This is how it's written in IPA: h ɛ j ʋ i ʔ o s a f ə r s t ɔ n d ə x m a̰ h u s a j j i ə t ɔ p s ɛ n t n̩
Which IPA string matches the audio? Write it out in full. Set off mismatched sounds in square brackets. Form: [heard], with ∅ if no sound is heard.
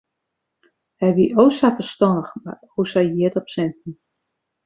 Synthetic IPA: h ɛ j ʋ i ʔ o s a f ə r s t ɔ n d ə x m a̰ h u s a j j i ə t ɔ p s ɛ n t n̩

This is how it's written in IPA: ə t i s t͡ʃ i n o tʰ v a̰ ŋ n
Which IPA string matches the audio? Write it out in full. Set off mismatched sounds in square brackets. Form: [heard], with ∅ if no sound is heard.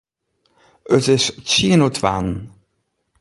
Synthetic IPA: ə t [ɪ] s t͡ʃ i n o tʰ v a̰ [n] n

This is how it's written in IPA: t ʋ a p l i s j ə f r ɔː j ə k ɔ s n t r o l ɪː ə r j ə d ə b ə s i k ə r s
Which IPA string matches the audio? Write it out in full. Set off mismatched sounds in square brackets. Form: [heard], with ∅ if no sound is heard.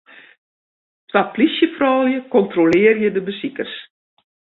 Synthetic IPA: t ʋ a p l i s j ə f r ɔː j ə k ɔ [∅] n t r o l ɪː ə r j ə d ə b ə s i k ə r s

